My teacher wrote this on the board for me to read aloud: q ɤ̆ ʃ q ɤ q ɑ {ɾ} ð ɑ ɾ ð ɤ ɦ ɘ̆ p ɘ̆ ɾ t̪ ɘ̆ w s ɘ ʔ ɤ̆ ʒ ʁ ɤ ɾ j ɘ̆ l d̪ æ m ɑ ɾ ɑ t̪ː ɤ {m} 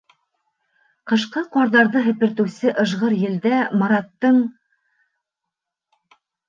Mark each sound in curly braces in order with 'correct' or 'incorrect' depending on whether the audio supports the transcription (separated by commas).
correct, incorrect